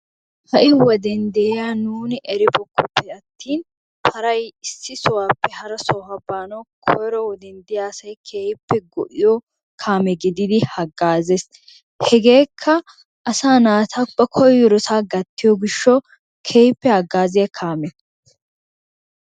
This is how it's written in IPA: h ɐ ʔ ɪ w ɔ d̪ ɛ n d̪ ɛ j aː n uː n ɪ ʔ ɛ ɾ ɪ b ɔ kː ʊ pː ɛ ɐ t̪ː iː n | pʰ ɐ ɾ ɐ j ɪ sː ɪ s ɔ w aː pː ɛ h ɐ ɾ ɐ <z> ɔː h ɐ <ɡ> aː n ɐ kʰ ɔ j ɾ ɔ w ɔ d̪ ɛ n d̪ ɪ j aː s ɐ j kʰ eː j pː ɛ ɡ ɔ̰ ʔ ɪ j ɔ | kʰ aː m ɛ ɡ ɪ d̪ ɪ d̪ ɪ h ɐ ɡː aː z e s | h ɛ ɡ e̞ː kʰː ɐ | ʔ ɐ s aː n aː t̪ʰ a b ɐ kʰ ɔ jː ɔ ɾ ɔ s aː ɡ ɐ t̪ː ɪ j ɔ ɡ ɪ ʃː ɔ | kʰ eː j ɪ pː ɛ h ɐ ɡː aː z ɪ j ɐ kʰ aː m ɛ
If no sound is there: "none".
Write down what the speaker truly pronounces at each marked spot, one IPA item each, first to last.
s, b

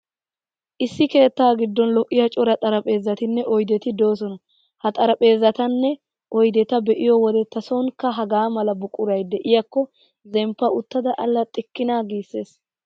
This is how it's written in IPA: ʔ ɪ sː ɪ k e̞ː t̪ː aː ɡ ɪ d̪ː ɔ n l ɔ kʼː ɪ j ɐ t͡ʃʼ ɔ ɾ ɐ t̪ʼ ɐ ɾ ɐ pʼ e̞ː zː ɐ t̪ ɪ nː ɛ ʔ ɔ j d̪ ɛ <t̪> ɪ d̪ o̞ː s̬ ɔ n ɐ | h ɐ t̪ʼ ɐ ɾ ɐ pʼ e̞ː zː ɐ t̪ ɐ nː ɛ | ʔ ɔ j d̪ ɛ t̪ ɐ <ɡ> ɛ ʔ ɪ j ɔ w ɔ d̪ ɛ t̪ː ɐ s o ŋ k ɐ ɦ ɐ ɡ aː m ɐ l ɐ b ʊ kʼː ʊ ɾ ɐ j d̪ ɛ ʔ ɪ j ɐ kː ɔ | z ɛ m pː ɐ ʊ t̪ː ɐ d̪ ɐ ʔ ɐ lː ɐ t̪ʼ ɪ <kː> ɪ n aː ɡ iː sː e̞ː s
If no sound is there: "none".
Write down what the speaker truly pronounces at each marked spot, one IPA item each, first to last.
t̪, b, kː

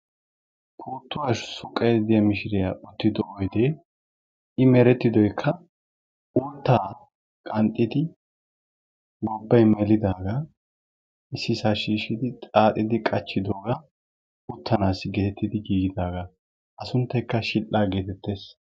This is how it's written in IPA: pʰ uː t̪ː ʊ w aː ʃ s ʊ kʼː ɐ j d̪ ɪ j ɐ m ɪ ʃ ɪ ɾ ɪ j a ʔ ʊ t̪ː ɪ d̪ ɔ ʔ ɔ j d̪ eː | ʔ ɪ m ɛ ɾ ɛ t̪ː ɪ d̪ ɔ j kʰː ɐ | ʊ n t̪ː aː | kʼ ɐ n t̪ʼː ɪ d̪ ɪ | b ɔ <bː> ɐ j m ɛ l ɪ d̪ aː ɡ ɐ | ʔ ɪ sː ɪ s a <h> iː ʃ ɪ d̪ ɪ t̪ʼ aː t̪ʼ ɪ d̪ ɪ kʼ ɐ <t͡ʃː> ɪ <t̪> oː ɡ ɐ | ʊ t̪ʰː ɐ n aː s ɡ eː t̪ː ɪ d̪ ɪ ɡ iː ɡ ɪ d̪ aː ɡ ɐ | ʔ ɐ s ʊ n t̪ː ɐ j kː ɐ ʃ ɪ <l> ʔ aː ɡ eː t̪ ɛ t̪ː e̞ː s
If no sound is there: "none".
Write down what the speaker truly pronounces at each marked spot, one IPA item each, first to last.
bː, ʃ, t͡ʃː, d̪, l

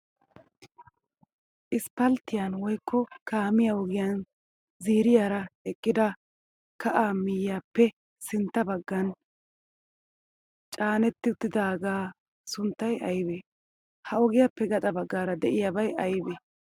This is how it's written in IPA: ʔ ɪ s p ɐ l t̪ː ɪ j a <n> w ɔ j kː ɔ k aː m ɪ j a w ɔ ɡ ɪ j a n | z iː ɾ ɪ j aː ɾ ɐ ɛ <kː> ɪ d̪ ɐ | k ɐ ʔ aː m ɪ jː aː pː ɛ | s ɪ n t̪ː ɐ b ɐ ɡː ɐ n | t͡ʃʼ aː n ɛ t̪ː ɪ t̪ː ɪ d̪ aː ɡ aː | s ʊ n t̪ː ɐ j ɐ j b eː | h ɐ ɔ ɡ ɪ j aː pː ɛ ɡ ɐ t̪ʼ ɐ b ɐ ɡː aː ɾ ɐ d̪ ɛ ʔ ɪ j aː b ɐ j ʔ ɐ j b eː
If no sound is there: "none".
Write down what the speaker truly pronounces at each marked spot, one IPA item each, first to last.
n, kʼː

